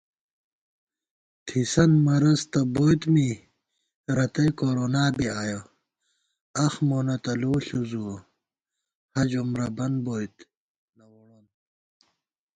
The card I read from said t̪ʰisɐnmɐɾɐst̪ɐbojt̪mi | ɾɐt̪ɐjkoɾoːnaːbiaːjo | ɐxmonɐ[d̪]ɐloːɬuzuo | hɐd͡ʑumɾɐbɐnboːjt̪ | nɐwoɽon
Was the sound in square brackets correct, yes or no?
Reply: no